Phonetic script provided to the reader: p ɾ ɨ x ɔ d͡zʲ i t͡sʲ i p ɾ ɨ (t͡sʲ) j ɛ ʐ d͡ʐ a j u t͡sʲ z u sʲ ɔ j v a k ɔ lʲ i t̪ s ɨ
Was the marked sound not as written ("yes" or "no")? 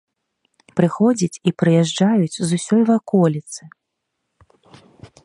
yes